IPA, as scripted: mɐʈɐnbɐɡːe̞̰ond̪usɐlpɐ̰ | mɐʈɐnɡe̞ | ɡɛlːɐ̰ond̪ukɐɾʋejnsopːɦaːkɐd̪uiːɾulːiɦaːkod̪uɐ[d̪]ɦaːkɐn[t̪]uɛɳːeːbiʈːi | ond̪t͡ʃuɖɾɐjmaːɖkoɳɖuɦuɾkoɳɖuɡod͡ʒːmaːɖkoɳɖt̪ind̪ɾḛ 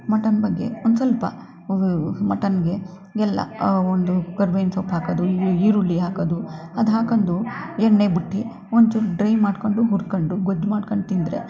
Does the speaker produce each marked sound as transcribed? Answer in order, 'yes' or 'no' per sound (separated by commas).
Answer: yes, no